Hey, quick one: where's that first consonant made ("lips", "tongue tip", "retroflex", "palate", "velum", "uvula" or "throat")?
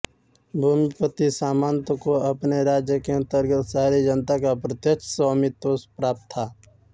lips